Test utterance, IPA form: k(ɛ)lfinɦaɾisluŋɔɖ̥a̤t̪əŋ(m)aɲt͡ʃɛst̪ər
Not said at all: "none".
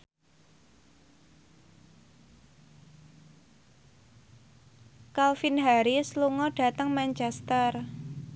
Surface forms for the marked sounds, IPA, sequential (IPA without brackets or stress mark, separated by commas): a, m